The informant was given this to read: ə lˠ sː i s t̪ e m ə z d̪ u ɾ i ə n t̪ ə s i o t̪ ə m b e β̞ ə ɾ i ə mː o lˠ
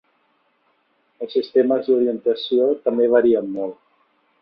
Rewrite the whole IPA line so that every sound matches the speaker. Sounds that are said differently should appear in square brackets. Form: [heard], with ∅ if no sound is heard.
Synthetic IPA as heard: ə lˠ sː i s t̪ e m ə z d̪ u ɾ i ə n t̪ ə s i o t̪ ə m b e β̞ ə ɾ i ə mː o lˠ